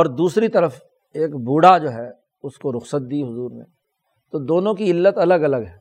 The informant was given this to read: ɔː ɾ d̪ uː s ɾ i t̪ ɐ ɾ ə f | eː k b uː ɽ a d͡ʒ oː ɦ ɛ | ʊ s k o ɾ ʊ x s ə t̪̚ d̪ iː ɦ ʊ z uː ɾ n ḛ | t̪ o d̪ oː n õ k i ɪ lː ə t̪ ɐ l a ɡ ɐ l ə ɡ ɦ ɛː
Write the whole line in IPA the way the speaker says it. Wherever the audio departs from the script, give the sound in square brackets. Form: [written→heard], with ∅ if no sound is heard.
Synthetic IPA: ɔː ɾ d̪ uː s ɾ i t̪ ɐ ɾ ə f | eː k b uː ɽ a d͡ʒ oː ɦ ɛ | ʊ s k o ɾ ʊ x s ə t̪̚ d̪ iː ɦ ʊ z uː ɾ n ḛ | t̪ o d̪ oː n õ k i ɪ lː ə t̪ ɐ l [a→ə] ɡ ɐ l ə ɡ ɦ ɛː